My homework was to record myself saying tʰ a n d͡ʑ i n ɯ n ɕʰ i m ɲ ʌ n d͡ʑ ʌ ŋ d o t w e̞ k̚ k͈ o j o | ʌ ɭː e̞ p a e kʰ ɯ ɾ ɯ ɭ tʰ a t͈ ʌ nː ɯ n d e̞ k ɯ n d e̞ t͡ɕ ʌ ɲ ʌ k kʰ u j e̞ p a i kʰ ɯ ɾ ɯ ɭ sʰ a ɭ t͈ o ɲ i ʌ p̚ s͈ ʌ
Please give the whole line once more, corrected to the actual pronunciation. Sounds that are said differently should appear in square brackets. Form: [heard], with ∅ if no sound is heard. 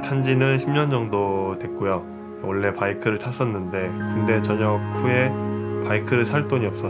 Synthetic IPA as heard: tʰ a n d͡ʑ i n ɯ n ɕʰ i m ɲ ʌ n d͡ʑ ʌ ŋ d o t w e̞ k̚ k͈ o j o | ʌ ɭː e̞ p a [i] kʰ ɯ ɾ ɯ ɭ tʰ a [s͈] ʌ nː ɯ n d e̞ k ɯ n d e̞ t͡ɕ ʌ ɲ ʌ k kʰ u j e̞ p a i kʰ ɯ ɾ ɯ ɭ sʰ a ɭ t͈ o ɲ i ʌ p̚ s͈ ʌ